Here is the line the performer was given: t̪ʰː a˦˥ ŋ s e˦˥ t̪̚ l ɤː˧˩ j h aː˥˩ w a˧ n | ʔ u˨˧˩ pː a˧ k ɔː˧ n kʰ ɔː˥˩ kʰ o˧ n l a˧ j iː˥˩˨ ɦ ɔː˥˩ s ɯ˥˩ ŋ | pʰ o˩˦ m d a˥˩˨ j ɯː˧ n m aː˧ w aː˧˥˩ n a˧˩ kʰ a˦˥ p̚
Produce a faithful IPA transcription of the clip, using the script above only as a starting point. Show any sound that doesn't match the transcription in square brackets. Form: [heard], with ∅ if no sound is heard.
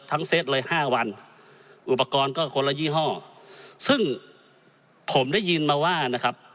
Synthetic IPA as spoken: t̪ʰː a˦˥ ŋ s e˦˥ t̪̚ l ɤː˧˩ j h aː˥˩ w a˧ n | ʔ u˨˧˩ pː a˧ k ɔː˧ n [k] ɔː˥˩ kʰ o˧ n l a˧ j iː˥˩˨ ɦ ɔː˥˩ s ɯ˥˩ ŋ | pʰ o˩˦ m d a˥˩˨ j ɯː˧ n m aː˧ w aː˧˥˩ n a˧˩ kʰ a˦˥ p̚